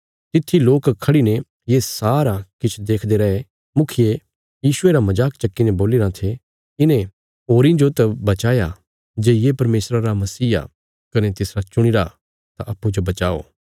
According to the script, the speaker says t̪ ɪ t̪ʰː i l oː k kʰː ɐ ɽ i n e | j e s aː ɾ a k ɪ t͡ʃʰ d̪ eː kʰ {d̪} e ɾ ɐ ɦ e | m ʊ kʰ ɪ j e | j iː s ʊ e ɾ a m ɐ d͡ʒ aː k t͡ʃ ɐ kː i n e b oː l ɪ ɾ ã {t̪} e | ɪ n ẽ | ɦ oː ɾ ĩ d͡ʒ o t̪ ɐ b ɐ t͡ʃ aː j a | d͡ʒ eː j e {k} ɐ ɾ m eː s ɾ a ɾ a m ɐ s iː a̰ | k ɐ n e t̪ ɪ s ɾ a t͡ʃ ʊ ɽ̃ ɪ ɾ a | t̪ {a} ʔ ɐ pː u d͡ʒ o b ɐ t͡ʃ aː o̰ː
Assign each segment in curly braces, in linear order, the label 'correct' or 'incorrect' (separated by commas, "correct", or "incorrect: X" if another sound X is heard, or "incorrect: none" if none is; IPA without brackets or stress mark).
correct, incorrect: t̪ʰ, incorrect: p, correct